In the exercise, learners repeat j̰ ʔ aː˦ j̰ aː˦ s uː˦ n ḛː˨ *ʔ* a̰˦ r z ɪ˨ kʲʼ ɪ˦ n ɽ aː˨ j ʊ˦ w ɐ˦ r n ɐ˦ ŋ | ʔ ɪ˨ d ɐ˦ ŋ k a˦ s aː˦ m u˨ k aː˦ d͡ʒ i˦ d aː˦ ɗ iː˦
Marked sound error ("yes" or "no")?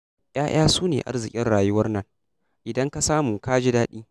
no